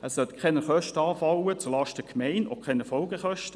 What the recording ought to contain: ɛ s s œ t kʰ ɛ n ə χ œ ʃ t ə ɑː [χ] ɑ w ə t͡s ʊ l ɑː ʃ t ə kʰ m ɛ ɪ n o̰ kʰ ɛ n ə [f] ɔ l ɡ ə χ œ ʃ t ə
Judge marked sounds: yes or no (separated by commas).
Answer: no, yes